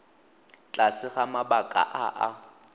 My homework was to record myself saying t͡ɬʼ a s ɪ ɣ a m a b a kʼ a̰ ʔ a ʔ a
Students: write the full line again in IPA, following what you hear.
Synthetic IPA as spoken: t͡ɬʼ a s ɪ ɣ a m a b a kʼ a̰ ʔ a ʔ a